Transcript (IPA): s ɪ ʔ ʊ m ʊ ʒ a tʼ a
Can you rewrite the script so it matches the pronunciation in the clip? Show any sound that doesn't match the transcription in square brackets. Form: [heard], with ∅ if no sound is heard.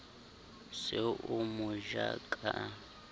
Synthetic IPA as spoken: s ɪ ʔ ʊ m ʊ ʒ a [kʼ] a